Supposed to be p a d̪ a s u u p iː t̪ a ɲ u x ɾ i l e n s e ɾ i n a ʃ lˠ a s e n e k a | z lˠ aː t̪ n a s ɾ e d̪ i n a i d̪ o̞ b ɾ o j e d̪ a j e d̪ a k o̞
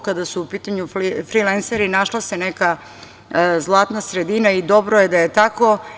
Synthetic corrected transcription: k a d̪ a s u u p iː t̪ a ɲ u f ɾ i l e n s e ɾ i n a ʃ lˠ a s e n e k a | z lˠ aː t̪ n a s ɾ e d̪ i n a i d̪ o̞ b ɾ o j e d̪ a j e t̪ a k o̞